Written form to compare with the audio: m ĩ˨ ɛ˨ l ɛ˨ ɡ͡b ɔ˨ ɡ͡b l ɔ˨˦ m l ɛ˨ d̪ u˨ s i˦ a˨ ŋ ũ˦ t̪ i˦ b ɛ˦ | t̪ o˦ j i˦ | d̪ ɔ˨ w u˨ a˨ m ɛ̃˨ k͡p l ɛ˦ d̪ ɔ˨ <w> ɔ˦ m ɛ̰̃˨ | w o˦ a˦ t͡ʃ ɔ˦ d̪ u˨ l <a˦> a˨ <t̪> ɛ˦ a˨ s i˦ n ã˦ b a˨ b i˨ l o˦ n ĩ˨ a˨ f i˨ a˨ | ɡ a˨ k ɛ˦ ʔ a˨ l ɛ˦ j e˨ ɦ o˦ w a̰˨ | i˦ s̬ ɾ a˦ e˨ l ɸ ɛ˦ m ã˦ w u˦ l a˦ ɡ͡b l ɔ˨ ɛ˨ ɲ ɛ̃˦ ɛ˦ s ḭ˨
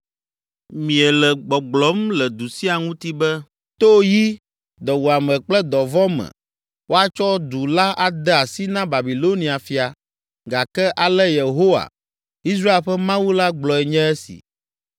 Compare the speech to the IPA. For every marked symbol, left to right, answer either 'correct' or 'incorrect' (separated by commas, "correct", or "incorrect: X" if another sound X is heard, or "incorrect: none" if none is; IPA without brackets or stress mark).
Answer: incorrect: v, correct, incorrect: d̪